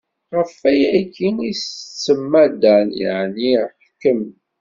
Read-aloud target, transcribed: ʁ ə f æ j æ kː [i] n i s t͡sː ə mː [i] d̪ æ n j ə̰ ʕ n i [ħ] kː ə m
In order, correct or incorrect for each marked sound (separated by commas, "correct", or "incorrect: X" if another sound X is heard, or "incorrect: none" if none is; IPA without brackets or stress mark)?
correct, incorrect: æ, correct